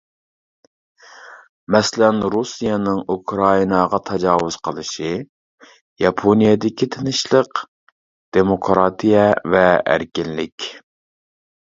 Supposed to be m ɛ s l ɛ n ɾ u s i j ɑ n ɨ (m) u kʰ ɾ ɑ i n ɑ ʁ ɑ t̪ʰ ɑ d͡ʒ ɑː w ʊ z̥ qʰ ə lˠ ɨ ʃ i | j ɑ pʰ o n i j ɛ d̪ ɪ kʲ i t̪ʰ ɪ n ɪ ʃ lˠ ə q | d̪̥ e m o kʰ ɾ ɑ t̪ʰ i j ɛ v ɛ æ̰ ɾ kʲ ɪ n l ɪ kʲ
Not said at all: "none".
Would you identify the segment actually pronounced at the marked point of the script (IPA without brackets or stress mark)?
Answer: ŋ